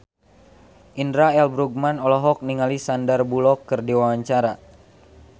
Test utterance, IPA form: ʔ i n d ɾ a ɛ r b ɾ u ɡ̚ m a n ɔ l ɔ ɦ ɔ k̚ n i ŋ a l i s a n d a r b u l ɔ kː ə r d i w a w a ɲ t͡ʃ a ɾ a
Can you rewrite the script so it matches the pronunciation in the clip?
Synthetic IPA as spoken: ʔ i n d ɾ a ɛ l b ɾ u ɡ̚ m a n ɔ l ɔ ɦ ɔ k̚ n i ŋ a l i s a n d a r b u l ɔ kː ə r d i w a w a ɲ t͡ʃ a ɾ a